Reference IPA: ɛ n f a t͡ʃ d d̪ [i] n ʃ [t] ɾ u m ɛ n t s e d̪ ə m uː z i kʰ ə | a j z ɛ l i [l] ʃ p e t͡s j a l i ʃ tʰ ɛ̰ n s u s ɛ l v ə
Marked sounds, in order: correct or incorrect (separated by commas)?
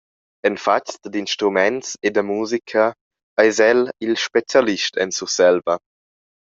correct, correct, correct